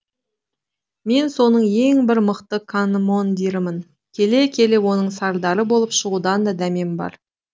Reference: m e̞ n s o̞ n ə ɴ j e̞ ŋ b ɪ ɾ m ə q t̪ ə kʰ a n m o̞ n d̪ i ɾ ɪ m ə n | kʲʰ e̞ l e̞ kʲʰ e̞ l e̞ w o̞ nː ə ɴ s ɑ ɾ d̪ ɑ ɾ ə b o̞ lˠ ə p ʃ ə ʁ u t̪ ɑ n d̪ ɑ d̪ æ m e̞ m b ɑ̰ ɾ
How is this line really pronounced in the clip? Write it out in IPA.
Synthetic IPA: m e̞ n s o̞ n ə ɴ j e̞ ŋ b ɪ ɾ m ə q t̪ ə kʰ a n m o̞ n d̪ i ɾ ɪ m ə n | kʲʰ e̞ l e̞ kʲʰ e̞ l e̞ w o̞ n ə ɴ s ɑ ɾ d̪ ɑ ɾ ə b o̞ lˠ ə p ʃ ə ʁ u d̪ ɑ n d̪ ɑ d̪ æ m e̞ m b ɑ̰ ɾ